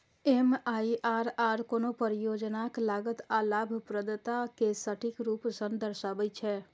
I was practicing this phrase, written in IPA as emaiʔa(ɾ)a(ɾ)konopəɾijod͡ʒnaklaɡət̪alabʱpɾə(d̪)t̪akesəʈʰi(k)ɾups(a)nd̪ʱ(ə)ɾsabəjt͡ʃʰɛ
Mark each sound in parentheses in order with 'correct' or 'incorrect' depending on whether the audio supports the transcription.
correct, correct, correct, correct, incorrect: ə, correct

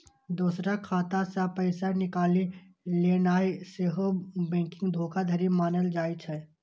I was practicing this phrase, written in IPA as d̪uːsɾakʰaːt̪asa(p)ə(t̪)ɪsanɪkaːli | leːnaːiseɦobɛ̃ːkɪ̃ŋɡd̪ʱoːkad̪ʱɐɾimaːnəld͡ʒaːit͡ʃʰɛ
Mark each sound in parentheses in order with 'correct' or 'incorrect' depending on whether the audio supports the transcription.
correct, incorrect: none

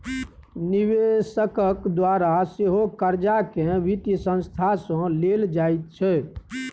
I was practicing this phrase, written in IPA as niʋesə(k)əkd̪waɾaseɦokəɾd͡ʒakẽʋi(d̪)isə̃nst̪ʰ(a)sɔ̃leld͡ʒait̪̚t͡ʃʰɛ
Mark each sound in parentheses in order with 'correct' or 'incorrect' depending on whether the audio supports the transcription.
correct, incorrect: t̪, correct

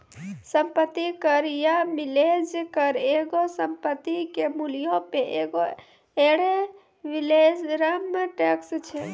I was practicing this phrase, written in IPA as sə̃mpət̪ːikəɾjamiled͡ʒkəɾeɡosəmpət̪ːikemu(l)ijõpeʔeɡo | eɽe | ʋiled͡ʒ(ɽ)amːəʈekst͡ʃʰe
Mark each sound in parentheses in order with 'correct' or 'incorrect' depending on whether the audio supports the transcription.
correct, incorrect: ɾ

